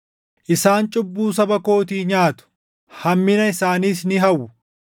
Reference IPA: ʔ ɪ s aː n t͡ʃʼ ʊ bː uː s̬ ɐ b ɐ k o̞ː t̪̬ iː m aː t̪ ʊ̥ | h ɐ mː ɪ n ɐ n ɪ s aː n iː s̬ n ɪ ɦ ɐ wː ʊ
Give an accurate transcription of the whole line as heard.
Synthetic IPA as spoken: ʔ ɪ s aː n t͡ʃʼ ʊ bː uː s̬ ɐ b ɐ k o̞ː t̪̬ iː ɲ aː t̪ ʊ̥ | h ɐ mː ɪ n ɐ ɪ s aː n iː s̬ n ɪ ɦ ɐ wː ʊ